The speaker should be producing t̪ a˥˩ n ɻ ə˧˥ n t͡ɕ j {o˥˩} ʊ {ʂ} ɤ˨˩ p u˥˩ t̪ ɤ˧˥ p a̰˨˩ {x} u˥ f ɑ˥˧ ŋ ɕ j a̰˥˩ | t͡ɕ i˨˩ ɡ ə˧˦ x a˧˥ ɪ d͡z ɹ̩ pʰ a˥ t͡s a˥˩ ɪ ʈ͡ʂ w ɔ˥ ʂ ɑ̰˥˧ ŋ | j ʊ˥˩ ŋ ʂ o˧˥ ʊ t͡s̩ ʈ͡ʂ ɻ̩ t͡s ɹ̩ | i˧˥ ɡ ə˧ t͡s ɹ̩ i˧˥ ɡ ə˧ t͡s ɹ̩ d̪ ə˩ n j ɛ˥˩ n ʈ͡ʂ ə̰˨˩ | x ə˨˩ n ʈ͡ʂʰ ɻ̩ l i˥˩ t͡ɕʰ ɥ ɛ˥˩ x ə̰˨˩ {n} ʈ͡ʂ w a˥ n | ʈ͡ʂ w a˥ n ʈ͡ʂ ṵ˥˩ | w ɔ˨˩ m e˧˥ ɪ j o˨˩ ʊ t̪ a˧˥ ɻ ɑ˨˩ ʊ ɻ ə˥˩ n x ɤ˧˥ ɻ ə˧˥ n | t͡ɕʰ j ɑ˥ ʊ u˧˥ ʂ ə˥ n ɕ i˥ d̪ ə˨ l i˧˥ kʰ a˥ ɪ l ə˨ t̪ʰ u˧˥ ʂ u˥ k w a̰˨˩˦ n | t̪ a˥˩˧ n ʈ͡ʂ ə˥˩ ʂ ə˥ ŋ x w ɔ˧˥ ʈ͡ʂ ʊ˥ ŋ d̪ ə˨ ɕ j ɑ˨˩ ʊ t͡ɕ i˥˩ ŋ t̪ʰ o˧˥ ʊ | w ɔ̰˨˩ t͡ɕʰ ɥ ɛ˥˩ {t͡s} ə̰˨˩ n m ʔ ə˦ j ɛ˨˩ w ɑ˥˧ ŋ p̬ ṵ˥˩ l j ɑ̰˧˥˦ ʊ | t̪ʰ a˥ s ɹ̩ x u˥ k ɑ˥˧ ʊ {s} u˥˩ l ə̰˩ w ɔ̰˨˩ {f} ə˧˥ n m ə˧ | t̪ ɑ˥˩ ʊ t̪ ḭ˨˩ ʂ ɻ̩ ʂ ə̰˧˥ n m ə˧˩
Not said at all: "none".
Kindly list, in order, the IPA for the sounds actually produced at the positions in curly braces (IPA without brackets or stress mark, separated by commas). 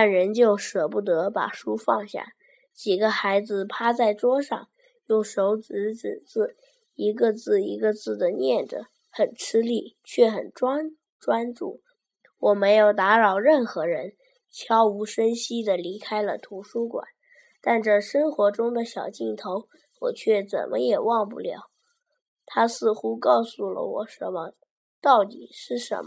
o˥˩, ʂ, ʂ, n, t͡s, s, ʂ